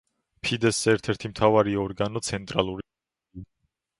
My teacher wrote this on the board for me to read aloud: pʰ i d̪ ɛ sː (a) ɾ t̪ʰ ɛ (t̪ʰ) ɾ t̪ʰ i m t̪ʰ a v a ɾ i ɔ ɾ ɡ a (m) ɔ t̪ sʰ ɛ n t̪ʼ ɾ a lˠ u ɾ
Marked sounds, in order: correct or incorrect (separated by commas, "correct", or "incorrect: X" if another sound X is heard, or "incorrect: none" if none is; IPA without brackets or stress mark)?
incorrect: ɛ, incorrect: none, incorrect: n